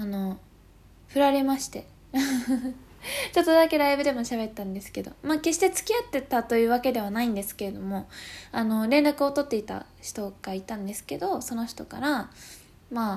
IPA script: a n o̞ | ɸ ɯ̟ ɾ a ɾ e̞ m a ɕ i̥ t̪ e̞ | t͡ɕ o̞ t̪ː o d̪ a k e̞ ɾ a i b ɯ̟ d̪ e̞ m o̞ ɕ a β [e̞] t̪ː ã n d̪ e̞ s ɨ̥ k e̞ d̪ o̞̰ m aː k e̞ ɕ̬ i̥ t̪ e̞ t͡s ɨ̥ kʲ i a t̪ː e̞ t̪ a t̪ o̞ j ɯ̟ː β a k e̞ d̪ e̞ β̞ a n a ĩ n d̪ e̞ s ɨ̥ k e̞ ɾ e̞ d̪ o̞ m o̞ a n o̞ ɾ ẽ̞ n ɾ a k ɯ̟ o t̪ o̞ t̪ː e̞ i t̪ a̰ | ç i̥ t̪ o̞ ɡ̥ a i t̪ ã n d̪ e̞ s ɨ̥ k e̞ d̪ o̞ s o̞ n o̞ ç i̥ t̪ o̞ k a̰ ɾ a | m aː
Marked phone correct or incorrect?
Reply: correct